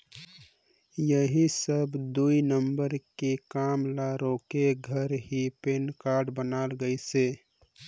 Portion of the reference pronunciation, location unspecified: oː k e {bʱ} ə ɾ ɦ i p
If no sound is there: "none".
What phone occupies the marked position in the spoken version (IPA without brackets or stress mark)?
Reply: ɡʱ